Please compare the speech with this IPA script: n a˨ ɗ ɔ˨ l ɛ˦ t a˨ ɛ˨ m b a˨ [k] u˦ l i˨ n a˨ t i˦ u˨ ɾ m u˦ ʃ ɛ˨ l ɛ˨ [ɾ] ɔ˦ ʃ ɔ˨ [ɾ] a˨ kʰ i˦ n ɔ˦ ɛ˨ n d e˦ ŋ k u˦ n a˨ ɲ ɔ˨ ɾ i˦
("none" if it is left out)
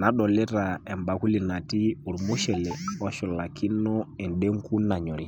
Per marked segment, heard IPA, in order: k, none, l

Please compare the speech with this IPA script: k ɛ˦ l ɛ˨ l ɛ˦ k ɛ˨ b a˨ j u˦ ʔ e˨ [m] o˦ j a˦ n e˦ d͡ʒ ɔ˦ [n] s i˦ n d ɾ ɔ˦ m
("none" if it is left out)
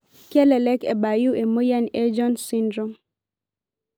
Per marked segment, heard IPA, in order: m, n

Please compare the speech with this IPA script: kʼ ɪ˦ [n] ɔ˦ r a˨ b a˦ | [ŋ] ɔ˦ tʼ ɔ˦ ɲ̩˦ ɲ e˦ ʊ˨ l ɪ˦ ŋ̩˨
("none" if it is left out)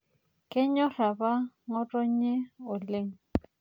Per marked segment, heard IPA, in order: ɲ, ŋ

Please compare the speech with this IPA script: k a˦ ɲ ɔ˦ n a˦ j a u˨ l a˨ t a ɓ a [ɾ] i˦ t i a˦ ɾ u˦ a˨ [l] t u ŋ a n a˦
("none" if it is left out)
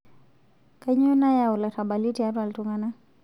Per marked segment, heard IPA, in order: l, l

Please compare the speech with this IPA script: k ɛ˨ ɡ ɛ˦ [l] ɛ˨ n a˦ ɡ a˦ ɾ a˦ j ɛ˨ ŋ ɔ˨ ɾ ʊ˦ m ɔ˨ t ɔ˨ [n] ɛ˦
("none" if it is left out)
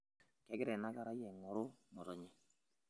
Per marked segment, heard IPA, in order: ɾ, ɲ

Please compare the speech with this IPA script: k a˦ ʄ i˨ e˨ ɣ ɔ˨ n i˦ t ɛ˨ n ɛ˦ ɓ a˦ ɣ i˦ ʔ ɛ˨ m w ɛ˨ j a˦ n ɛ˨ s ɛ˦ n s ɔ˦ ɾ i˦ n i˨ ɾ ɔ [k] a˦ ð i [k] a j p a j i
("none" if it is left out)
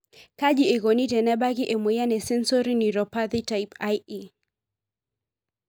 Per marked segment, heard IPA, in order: p, t

